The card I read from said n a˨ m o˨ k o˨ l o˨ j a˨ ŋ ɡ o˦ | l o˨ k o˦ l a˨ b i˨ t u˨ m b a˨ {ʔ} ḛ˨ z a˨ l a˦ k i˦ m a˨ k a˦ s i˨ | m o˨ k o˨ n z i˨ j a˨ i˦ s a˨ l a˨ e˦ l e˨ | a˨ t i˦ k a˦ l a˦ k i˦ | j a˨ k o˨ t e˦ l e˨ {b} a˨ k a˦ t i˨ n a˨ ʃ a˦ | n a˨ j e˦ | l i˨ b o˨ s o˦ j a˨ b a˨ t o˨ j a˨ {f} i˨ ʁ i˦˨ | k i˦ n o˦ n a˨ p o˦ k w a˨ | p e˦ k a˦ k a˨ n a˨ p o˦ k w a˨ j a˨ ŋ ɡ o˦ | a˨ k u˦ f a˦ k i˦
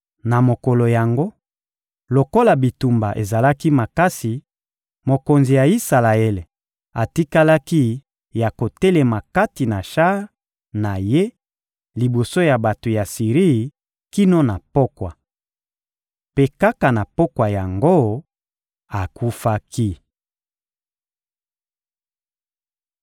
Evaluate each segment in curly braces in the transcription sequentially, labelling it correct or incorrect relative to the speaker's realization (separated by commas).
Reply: correct, incorrect, incorrect